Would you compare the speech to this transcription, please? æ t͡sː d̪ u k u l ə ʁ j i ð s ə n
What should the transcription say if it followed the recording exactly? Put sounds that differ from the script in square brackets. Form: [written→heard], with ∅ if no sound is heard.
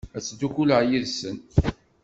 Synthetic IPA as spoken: æ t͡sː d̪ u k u l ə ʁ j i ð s ə n